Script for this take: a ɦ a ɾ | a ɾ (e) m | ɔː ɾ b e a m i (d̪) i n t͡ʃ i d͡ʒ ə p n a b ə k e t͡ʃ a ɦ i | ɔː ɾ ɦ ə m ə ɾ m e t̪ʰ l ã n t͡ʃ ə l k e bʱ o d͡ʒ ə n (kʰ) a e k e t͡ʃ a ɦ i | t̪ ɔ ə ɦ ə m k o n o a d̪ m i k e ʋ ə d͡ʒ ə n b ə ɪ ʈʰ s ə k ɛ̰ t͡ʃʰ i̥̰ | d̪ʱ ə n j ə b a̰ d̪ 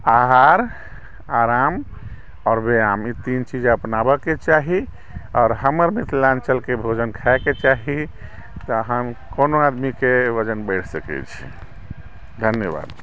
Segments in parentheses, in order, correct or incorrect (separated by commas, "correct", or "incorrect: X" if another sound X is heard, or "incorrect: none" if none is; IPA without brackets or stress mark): incorrect: a, incorrect: t̪, correct